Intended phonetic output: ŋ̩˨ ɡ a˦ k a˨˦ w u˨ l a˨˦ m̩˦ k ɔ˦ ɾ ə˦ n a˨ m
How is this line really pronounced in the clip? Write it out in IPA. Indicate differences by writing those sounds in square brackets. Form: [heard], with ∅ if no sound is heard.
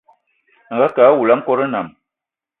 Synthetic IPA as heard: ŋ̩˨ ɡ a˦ k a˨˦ w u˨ l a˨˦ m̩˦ k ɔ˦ ɾ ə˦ n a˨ m